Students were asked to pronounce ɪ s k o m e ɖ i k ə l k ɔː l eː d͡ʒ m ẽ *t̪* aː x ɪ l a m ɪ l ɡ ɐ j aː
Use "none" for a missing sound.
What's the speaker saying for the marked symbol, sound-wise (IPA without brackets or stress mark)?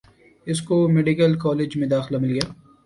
d̪